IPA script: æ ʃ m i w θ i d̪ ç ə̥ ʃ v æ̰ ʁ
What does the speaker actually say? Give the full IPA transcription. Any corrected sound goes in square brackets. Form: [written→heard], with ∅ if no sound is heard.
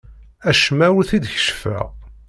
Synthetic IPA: æ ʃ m [i→æ] w θ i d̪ ç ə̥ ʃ [v→f] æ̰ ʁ